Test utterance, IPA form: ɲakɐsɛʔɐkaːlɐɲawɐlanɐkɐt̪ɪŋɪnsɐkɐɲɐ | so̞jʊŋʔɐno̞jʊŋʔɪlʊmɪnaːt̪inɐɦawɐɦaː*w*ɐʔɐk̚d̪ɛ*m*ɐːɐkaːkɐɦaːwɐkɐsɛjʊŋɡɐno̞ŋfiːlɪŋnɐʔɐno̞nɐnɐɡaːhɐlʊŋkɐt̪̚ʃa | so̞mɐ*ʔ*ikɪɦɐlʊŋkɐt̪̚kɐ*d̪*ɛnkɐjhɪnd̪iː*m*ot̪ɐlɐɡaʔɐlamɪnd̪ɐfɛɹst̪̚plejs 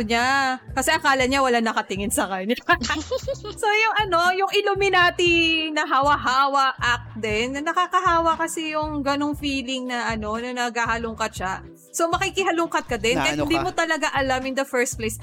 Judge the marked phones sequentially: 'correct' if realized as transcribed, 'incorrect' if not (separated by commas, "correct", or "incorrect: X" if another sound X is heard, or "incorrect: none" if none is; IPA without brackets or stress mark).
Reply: correct, incorrect: n, incorrect: k, correct, correct